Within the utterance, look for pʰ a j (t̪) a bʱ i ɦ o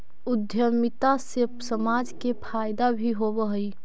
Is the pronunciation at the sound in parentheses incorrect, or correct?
incorrect